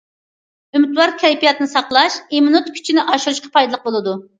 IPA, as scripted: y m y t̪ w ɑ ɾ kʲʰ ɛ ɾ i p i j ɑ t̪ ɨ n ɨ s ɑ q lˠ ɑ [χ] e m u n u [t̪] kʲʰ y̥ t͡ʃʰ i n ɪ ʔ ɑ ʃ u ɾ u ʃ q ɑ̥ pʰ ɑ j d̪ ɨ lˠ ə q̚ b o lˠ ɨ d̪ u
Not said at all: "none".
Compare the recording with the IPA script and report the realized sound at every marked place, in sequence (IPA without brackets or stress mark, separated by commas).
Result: ʃ, t̪